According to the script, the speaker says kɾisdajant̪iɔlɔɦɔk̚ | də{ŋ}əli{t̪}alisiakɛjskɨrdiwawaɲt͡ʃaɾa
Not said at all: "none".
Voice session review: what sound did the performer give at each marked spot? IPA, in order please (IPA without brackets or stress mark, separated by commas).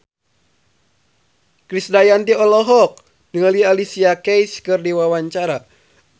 ŋ, none